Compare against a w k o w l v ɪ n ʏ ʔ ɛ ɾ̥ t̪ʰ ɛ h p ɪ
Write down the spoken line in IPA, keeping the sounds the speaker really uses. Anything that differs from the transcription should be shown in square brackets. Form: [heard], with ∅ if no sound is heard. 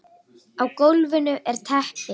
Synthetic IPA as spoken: a w k o w l v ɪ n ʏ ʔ ɛ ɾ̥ t̪ʰ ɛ h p ɪ